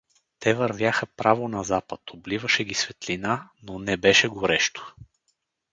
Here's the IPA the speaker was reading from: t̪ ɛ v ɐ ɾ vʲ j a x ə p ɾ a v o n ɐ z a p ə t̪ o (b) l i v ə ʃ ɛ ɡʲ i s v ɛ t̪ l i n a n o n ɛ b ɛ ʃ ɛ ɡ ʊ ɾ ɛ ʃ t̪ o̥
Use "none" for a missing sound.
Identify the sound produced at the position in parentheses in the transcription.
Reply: b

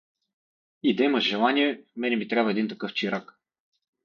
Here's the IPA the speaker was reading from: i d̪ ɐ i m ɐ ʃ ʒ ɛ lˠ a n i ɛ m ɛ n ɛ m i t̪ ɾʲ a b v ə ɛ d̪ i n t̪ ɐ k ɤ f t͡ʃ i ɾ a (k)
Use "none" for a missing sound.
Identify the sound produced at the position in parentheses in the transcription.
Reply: k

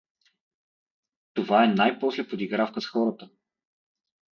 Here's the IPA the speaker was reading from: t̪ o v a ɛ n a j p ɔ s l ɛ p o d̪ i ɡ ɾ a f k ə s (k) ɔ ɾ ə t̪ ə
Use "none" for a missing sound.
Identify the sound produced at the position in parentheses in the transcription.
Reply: x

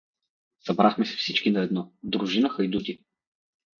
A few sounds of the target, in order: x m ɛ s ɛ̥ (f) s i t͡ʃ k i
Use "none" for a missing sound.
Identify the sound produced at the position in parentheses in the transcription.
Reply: f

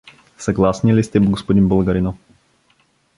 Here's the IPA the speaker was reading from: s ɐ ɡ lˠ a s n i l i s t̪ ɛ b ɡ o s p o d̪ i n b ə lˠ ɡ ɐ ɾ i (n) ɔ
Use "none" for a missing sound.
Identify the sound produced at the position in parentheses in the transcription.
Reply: n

